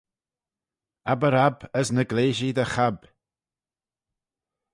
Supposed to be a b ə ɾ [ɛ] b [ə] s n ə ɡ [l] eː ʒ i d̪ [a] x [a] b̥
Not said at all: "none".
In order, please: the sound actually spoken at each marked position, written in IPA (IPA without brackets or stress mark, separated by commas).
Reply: a, ə, l, ə, a